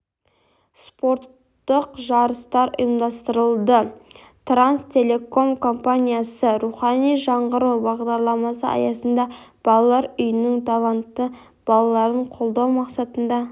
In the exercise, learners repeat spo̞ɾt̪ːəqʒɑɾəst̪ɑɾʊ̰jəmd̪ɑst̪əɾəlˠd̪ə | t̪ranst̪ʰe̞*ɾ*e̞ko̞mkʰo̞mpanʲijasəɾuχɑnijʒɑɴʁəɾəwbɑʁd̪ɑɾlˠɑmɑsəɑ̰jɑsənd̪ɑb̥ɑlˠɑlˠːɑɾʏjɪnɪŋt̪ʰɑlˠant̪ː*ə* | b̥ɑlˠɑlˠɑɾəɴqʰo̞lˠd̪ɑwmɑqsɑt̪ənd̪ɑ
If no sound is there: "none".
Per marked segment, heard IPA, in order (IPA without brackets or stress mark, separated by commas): l, ə